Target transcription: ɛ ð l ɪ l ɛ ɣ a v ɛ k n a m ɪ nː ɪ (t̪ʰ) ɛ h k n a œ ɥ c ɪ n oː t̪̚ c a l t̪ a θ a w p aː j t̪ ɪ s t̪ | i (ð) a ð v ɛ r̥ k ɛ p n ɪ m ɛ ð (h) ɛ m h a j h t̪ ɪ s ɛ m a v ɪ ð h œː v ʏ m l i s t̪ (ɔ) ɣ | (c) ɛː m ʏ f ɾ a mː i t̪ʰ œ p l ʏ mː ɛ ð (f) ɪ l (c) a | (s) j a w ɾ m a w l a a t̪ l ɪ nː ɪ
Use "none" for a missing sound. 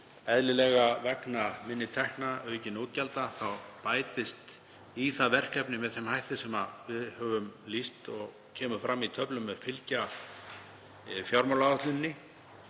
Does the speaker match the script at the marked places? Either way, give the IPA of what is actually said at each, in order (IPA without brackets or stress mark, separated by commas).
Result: t̪ʰ, θ, θ, ɔ, cʰ, f, c, f